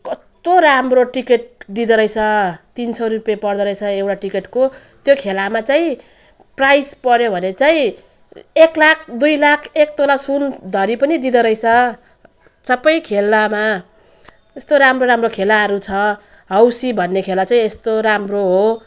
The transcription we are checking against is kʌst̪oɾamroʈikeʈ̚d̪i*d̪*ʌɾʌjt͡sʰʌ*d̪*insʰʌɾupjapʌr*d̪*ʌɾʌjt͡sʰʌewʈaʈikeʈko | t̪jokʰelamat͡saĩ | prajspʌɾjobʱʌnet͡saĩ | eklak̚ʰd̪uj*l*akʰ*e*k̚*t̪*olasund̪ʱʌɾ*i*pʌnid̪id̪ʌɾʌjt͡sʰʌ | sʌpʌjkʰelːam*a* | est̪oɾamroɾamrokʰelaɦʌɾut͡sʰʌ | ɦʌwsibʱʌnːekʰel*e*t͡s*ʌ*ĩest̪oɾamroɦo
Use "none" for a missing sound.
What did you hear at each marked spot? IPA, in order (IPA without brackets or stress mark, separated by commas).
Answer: d̪, t̪, d̪, l, e, t̪, i, a, a, a